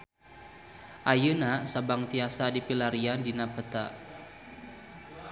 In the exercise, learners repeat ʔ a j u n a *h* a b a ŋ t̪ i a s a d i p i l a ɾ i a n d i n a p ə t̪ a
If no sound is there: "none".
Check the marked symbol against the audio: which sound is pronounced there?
s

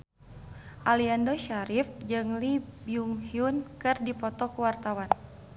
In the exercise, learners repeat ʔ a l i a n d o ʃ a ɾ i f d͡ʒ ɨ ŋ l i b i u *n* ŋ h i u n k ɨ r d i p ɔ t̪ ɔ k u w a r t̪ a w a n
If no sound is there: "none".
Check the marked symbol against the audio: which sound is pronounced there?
none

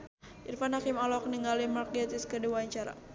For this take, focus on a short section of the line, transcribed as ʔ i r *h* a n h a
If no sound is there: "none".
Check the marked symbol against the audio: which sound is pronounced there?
f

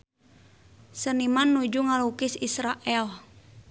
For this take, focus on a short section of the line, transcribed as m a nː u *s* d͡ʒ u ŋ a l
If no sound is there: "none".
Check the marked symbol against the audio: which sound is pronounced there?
none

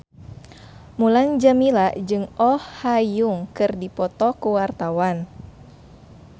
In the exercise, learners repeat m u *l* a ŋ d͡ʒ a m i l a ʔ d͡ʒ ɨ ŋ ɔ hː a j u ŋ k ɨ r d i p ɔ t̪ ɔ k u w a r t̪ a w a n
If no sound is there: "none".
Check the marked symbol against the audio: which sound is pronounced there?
l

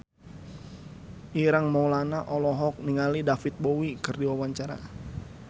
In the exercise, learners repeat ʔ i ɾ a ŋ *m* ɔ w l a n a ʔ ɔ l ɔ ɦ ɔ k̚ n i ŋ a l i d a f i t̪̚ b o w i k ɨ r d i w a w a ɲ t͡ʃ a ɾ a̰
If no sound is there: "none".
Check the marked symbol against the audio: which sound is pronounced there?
m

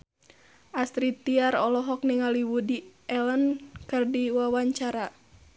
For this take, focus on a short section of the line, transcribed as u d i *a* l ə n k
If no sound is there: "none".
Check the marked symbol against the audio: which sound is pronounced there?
ɛ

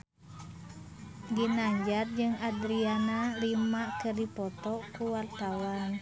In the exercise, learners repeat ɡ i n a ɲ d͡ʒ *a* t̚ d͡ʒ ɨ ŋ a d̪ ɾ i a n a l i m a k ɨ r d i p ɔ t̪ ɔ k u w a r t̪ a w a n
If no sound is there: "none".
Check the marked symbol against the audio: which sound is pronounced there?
a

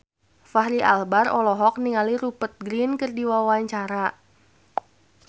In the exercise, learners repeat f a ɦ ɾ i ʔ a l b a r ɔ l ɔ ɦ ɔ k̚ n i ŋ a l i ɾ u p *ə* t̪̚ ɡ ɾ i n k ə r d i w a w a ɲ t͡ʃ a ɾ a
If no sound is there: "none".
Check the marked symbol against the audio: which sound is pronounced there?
ə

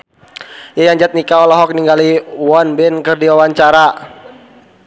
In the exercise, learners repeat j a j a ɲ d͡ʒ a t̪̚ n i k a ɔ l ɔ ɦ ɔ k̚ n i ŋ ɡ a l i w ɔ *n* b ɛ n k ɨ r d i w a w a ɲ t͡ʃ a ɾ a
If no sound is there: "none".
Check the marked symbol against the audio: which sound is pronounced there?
n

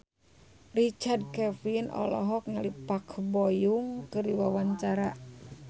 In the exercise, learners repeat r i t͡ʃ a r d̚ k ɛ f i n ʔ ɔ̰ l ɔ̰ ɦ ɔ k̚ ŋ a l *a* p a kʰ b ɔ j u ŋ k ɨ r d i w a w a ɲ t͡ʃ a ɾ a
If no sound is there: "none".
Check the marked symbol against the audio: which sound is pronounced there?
i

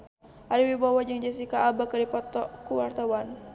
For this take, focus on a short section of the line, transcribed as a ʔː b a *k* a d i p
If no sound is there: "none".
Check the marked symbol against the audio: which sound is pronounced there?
k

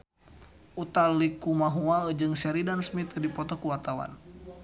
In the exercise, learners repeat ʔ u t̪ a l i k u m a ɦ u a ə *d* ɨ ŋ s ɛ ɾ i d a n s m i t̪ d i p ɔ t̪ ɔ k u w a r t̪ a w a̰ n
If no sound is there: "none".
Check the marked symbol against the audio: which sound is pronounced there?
d͡ʒ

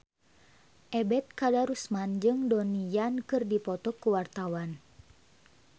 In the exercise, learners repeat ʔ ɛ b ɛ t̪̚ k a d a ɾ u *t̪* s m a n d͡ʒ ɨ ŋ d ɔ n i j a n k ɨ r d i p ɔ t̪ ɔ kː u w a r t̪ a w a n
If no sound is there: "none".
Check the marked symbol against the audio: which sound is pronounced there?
none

